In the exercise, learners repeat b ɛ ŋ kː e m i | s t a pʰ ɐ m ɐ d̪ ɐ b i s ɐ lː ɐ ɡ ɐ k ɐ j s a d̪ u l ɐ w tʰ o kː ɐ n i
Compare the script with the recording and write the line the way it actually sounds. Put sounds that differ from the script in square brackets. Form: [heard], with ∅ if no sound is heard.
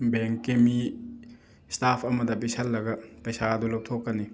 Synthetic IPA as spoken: b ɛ ŋ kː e m i | s t a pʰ ɐ m ɐ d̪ ɐ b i s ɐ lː ɐ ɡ ɐ [p] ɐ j s a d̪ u l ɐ w tʰ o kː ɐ n i